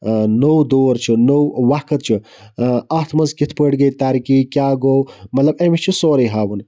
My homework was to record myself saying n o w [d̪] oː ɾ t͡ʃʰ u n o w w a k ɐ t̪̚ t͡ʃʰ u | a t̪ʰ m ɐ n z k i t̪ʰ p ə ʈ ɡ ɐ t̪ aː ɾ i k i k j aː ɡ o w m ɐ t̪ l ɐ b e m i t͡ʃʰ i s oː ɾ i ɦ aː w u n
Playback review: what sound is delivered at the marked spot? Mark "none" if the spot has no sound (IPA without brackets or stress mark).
d̪